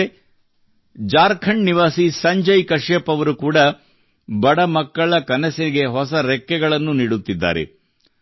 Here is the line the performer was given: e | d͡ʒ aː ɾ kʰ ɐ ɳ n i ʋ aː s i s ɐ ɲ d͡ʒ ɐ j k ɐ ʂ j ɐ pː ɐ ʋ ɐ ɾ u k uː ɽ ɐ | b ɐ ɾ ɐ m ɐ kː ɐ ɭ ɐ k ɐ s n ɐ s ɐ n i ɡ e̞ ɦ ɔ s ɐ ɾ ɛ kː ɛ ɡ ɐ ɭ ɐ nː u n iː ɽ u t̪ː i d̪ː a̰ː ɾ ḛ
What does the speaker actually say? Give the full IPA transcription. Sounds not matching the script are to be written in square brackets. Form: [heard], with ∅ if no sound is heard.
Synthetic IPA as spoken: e | d͡ʒ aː ɾ kʰ ɐ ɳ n i ʋ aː s i s ɐ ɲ d͡ʒ ɐ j k ɐ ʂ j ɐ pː ɐ ʋ ɐ ɾ u k uː ɽ ɐ | b ɐ [ɽ] ɐ m ɐ kː ɐ ɭ ɐ k ɐ [∅] n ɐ s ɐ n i ɡ e̞ ɦ ɔ s ɐ ɾ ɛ kː ɛ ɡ ɐ ɭ ɐ nː u n iː ɽ u t̪ː i d̪ː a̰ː ɾ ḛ